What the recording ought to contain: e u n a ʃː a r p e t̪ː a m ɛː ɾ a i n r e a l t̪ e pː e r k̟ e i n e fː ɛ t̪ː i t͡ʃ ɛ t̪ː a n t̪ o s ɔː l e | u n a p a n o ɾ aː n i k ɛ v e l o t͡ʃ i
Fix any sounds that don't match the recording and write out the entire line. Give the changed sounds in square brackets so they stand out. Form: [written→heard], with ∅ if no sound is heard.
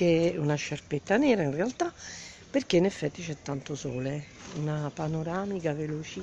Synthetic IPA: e u n a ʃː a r p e t̪ː a [m→n] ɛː ɾ a i n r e a l t̪ [e→a] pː e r k̟ e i n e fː ɛ t̪ː i t͡ʃ ɛ t̪ː a n t̪ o s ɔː l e | u n a p a n o ɾ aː [n→m] i k [ɛ→a] v e l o t͡ʃ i